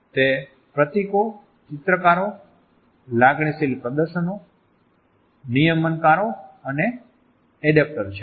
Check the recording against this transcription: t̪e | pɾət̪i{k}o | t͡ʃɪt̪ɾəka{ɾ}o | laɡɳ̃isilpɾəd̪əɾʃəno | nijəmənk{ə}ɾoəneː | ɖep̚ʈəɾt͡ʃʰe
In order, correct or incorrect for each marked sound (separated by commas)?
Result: correct, correct, incorrect